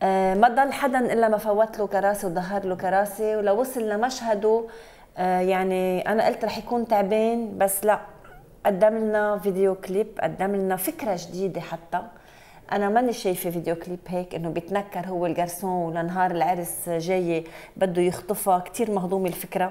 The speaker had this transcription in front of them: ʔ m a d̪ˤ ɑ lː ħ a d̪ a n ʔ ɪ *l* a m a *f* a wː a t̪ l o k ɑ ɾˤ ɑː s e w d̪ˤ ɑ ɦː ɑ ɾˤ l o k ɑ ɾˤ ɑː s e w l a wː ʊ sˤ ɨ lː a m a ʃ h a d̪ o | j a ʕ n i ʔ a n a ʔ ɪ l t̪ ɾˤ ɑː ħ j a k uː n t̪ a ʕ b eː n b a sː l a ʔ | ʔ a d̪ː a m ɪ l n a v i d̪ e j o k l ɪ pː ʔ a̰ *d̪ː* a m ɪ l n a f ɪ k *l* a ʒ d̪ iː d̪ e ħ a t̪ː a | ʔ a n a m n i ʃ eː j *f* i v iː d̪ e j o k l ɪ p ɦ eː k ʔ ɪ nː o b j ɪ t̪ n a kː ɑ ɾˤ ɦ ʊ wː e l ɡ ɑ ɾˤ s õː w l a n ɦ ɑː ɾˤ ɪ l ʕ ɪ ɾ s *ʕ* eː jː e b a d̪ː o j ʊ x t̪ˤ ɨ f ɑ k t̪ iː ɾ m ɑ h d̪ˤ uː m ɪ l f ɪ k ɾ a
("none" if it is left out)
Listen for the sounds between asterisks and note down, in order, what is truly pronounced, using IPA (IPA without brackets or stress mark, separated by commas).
lː, f, d̪ː, ɾ, f, ʒ